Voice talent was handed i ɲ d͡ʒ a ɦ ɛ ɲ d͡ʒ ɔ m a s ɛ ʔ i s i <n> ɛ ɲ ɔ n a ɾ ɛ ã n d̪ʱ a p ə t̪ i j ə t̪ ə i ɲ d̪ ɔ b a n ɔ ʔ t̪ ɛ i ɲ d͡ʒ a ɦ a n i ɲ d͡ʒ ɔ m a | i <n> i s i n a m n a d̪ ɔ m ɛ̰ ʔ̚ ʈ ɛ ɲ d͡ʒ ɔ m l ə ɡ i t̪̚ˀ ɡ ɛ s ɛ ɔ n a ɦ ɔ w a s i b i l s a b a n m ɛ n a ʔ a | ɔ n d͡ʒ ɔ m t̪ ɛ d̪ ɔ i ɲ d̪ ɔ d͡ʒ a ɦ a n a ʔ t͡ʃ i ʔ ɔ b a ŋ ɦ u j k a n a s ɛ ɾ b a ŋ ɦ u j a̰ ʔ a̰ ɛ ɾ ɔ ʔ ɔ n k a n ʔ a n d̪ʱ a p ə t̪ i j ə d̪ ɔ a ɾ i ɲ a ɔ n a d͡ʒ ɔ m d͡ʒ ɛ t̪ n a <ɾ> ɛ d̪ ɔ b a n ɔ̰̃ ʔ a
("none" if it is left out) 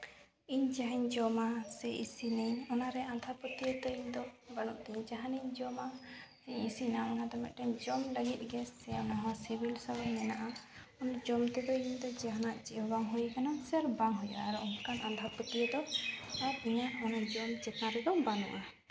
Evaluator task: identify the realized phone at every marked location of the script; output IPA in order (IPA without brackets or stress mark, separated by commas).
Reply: n, ɲ, ɾ